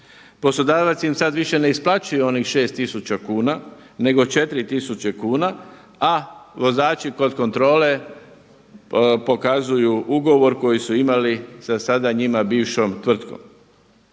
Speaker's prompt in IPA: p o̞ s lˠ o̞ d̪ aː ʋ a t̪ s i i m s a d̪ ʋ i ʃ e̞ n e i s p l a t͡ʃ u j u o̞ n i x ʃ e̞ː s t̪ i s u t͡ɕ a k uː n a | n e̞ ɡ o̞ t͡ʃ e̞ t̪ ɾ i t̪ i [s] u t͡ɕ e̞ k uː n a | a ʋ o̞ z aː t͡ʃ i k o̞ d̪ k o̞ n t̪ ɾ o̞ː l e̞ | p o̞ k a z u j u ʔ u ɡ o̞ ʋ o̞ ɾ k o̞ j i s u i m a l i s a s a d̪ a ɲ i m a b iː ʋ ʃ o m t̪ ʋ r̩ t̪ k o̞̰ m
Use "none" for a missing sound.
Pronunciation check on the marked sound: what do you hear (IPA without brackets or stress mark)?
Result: s